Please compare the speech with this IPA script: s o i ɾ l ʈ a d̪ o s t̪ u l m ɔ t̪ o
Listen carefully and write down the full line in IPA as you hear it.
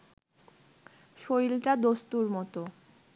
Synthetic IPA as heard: ʃ o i l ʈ a d̪ o s t̪ u ɾ m ɔ t̪ o